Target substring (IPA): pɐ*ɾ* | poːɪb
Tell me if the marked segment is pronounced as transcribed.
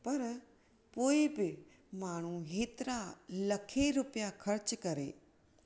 yes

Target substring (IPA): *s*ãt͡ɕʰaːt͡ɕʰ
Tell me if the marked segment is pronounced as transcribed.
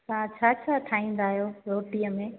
yes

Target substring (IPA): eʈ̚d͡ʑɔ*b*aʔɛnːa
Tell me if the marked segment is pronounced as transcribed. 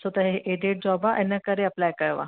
yes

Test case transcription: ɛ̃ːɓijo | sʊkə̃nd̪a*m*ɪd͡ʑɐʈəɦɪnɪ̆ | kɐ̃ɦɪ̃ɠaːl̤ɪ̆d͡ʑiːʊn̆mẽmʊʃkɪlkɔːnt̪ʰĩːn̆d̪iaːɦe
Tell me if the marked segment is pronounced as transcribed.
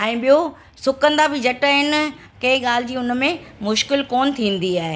no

